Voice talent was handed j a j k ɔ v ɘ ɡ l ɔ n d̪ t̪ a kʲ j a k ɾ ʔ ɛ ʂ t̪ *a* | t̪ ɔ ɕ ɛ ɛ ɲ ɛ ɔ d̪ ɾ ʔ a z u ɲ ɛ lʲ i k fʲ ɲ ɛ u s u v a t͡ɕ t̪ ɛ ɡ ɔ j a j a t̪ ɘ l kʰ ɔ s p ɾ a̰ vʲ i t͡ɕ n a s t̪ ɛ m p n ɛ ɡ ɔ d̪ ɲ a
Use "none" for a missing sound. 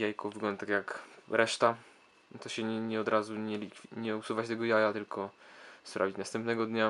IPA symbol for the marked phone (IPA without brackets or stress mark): a